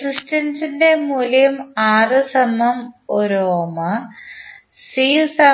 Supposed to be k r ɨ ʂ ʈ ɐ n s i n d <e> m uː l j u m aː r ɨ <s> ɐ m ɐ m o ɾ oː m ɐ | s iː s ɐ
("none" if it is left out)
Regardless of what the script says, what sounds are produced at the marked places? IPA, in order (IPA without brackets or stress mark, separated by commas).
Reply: e, s